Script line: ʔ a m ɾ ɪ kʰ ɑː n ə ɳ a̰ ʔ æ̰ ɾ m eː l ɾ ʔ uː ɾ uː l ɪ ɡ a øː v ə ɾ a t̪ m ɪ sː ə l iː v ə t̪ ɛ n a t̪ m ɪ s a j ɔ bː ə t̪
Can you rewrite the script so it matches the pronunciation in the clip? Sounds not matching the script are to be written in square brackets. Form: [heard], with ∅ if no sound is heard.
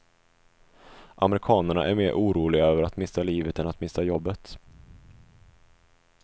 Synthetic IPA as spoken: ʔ a m ɾ ɪ kʰ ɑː n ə ɳ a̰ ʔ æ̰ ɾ m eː [∅] ɾ ʔ uː ɾ uː l ɪ ɡ a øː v ə ɾ a t̪ m ɪ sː [a] l iː v ə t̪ ɛ n a t̪ m ɪ s a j ɔ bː ə t̪